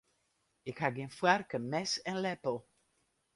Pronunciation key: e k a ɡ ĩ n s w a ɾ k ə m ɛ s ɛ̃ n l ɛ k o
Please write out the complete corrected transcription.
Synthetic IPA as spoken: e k a ɡ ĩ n f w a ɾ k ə m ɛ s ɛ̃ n l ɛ p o